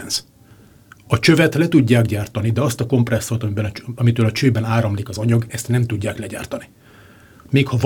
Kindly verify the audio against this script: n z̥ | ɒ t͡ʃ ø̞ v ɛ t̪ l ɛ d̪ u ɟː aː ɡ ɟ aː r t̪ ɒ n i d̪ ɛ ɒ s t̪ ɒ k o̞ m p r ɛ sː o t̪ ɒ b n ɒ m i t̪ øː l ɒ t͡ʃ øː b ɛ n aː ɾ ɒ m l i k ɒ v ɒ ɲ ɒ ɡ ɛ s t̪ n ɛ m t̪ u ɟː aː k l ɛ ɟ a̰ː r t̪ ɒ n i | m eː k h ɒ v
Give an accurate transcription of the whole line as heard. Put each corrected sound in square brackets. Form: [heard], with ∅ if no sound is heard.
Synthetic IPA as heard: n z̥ | ɒ t͡ʃ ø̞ v ɛ t̪ l ɛ [t̪] u ɟː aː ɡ ɟ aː r t̪ ɒ n i d̪ ɛ ɒ s t̪ ɒ k o̞ m p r ɛ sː o t̪ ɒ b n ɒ m i t̪ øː l ɒ t͡ʃ øː b ɛ n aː ɾ ɒ m l i k ɒ [z] ɒ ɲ ɒ ɡ ɛ s t̪ n ɛ m t̪ u ɟː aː k l ɛ ɟ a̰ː r t̪ ɒ n i | m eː k h ɒ v